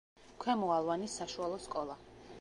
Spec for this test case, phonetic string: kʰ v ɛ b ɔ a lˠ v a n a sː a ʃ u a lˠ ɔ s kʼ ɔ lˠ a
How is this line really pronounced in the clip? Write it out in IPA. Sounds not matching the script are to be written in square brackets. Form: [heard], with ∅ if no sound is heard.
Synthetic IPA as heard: kʰ [w] ɛ [m] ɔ a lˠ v a n [i] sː a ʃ u a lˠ ɔ s kʼ ɔ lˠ a